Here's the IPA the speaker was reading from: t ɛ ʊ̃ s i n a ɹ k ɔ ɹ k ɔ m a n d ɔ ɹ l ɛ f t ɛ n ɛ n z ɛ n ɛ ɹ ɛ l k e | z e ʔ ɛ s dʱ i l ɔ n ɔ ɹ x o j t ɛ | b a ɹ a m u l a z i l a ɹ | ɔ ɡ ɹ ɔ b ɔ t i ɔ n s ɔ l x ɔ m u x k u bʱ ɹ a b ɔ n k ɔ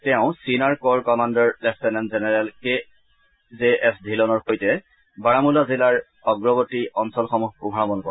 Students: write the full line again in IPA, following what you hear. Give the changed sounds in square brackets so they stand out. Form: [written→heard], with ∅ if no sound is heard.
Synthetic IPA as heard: t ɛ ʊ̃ s i n a ɹ k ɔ ɹ k ɔ m a n d ɔ ɹ l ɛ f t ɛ n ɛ n z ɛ n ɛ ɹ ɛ l k e | z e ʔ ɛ s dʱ i l ɔ n ɔ ɹ x o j t ɛ | b a ɹ a m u l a z i l a ɹ | ɔ ɡ ɹ ɔ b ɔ t i ɔ n s ɔ l x ɔ m u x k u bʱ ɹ a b ɔ n k ɔ

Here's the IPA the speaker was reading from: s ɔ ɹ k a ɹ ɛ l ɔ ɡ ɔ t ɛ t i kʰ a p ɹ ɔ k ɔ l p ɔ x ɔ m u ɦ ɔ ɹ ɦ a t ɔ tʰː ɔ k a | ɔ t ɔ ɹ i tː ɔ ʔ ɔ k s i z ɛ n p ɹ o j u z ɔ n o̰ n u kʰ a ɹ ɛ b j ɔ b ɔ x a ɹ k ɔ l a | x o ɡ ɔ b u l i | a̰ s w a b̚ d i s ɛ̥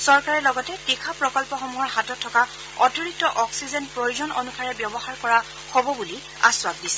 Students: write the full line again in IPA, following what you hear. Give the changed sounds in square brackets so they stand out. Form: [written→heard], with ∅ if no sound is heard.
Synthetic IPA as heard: s ɔ ɹ k a ɹ ɛ l ɔ ɡ ɔ t ɛ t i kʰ a p ɹ ɔ k ɔ l p ɔ x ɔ m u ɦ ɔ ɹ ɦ a t ɔ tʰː ɔ k a | ɔ t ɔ ɹ i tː ɔ ʔ ɔ k s i z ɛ n p ɹ o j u z ɔ n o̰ n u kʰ a ɹ ɛ b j ɔ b ɔ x a ɹ k ɔ [l→ɹ] a | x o [ɡ→b] ɔ b u l i | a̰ s w a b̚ d i s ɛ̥

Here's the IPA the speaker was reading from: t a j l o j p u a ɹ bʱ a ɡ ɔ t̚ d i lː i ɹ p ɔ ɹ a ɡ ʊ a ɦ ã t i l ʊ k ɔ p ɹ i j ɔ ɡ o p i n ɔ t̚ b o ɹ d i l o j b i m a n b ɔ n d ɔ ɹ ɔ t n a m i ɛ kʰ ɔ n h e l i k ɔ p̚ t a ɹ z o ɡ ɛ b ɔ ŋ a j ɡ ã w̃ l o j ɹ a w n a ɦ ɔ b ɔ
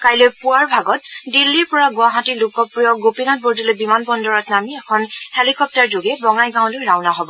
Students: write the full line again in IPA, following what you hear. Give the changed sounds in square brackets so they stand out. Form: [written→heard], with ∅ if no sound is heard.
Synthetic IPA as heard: [t→k] a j l o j p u a ɹ bʱ a ɡ ɔ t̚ d i lː i ɹ p ɔ ɹ a ɡ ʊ a ɦ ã t i l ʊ k ɔ p ɹ i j ɔ ɡ o p i n ɔ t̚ b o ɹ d i l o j b i m a n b ɔ n d ɔ ɹ ɔ t n a m i ɛ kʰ ɔ n h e l i k ɔ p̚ t a ɹ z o ɡ ɛ b ɔ ŋ a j ɡ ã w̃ l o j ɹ a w n a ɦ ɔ b ɔ

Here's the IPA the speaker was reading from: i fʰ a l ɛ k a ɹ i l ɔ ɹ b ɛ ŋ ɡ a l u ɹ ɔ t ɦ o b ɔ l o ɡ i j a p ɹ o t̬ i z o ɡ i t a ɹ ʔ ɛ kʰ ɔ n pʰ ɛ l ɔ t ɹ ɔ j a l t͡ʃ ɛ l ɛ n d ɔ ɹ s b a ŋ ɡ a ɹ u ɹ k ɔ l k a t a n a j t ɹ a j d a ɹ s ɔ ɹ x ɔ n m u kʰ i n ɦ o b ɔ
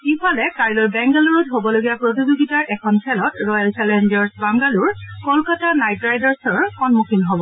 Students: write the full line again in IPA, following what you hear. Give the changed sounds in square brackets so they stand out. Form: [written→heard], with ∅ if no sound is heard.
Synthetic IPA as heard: i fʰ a l ɛ k a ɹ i l ɔ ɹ b ɛ ŋ ɡ a l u ɹ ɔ t ɦ o b ɔ l o ɡ i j a p ɹ o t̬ i z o ɡ i t a ɹ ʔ ɛ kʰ ɔ n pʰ ɛ l ɔ t ɹ ɔ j a l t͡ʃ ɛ l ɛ n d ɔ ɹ s b a ŋ ɡ a [ɹ→l] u ɹ k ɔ l k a t a n a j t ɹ a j d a ɹ s ɔ ɹ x ɔ n m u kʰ i n ɦ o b ɔ

